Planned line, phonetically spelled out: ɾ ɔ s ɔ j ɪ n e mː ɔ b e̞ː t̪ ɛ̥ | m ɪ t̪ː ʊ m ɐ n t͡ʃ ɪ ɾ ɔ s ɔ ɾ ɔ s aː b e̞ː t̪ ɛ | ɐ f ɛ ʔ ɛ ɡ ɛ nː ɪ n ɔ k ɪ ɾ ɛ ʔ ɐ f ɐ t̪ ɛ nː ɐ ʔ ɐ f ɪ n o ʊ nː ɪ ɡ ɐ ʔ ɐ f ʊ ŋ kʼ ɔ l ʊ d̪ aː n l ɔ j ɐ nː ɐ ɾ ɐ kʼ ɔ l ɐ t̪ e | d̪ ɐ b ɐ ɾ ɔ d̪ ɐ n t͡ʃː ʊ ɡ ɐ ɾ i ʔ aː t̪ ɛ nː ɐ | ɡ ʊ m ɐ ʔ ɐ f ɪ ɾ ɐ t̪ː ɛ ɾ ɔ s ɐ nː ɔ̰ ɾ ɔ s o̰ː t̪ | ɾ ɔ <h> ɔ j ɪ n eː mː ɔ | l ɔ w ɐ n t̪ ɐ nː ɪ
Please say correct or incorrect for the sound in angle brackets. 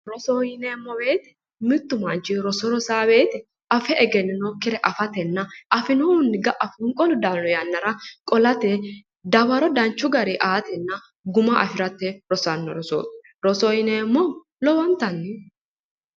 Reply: incorrect